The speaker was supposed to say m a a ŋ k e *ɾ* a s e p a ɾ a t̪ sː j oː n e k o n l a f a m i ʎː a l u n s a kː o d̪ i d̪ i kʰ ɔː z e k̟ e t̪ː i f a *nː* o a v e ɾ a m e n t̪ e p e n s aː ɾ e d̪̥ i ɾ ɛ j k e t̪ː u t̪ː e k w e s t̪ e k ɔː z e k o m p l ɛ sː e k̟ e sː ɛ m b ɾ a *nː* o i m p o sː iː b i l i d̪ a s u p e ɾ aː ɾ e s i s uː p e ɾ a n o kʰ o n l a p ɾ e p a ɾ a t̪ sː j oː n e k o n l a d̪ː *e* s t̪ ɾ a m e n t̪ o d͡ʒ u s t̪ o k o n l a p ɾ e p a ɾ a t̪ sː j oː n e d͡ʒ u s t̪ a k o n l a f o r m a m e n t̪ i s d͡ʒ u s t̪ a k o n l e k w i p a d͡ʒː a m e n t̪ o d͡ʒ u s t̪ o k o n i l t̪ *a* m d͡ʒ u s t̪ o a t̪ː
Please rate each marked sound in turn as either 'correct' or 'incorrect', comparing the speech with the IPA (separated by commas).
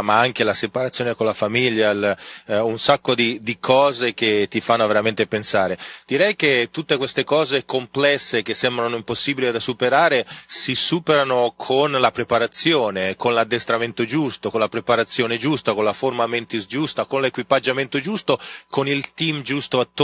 incorrect, correct, incorrect, correct, incorrect